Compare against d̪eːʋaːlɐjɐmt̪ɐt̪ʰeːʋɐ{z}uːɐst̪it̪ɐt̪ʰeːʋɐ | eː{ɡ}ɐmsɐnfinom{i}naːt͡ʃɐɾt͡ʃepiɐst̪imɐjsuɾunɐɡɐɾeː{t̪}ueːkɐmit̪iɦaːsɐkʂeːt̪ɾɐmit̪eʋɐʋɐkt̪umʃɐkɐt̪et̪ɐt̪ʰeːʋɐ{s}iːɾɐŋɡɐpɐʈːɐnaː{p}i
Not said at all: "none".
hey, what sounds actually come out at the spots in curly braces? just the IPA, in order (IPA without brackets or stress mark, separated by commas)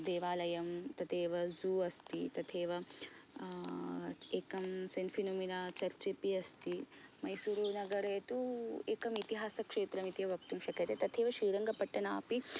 z, k, i, t̪, ʃ, p